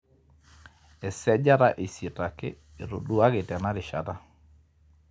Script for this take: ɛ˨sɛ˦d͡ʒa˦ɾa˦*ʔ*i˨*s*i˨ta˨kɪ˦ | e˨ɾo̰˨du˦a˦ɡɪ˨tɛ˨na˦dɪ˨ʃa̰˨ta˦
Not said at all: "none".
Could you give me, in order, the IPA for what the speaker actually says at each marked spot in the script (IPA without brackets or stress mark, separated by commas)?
ʔ, s